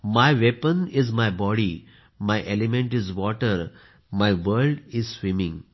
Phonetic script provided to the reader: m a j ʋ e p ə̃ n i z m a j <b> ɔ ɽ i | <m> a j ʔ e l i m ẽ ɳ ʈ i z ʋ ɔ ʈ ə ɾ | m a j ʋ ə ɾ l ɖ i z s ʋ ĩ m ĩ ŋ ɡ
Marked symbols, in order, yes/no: yes, yes

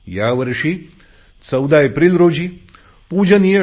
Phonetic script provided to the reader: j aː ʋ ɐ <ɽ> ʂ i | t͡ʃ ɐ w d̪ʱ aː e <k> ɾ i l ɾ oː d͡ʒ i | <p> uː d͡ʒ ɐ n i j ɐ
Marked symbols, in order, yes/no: no, no, yes

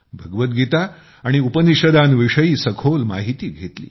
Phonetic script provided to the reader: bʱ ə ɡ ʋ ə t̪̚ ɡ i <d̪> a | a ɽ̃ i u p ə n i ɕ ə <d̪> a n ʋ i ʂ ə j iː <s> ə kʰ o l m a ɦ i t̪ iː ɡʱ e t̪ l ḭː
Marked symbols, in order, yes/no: no, yes, yes

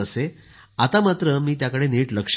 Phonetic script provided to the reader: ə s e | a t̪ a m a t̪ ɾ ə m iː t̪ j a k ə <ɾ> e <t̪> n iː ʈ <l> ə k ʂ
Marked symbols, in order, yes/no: no, no, yes

